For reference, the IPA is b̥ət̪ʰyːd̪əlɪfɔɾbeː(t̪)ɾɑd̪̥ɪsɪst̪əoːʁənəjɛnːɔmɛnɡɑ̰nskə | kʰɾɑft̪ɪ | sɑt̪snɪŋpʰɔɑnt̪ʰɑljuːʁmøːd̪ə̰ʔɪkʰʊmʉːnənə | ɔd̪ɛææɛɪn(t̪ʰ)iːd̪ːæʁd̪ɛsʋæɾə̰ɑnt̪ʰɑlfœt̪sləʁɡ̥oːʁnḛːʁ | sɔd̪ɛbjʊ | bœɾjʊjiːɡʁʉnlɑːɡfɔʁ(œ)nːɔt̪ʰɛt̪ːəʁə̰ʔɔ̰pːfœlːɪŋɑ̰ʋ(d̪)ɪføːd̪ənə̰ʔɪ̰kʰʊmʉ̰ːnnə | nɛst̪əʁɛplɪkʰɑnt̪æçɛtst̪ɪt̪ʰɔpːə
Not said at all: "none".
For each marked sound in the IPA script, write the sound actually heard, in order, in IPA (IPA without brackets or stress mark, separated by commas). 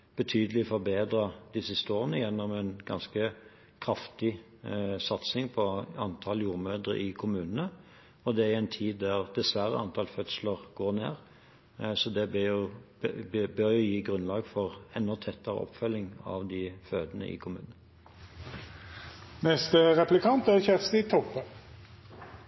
d̪, t̪ʰ, ɛ, d̪